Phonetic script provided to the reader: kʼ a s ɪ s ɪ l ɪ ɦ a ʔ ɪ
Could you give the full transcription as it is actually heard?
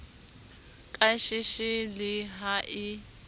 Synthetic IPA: kʼ a ʃ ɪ ʃ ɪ l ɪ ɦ a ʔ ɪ